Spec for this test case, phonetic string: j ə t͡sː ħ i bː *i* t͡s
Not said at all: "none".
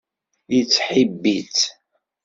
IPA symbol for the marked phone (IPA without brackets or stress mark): i